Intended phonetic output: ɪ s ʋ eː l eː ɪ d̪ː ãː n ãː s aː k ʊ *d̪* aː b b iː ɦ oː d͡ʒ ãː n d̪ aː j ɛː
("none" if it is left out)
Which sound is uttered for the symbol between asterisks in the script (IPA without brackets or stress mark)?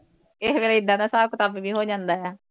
t̪